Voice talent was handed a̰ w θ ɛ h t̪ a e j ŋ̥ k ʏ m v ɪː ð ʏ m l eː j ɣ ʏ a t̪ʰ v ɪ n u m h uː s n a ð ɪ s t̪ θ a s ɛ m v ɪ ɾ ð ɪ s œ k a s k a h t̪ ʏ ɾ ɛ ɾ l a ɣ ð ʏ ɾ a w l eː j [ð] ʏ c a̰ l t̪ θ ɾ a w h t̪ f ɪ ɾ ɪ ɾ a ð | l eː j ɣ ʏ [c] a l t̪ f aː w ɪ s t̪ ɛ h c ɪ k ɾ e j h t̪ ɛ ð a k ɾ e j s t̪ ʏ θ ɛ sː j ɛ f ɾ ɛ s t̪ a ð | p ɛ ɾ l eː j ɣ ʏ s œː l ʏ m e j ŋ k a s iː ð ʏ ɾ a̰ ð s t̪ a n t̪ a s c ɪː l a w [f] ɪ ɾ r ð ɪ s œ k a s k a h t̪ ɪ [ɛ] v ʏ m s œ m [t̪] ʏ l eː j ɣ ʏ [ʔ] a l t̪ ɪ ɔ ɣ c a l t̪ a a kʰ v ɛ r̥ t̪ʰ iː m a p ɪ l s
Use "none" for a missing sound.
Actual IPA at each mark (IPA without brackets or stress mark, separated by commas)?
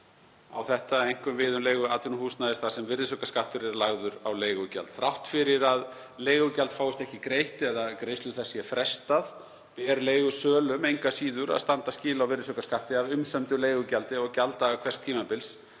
ɣ, c, v, a, t̪, c